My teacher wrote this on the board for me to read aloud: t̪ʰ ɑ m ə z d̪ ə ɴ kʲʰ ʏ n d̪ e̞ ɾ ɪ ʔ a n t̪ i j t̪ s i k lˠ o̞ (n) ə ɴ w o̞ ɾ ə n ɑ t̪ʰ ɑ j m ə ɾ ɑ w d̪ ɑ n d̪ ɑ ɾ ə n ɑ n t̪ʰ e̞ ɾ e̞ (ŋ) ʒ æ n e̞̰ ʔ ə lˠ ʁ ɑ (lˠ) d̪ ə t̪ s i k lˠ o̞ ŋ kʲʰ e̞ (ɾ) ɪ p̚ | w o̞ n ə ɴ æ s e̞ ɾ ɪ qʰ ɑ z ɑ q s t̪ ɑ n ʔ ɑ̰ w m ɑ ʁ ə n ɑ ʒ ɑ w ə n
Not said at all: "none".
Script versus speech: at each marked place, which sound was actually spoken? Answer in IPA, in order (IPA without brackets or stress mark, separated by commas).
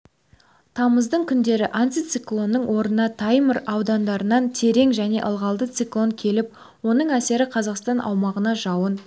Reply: nː, ŋ, lˠ, l